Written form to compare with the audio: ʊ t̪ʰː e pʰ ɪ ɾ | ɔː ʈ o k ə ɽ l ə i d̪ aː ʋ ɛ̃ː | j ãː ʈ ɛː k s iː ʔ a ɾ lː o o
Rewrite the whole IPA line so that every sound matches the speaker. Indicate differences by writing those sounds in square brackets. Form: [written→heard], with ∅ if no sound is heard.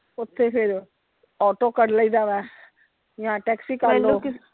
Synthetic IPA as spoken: ʊ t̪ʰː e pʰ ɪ ɾ | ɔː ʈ o k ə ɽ l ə i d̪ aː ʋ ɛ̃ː | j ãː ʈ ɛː k s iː [ʔ→k] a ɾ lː o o